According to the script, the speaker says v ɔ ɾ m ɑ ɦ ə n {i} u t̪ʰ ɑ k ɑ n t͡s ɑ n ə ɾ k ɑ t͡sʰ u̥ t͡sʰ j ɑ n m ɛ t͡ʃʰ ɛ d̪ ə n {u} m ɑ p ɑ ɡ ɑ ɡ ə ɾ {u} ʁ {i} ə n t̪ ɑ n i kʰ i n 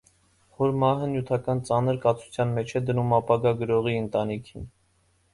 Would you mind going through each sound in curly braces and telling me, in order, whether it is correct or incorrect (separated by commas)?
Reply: incorrect, correct, incorrect, correct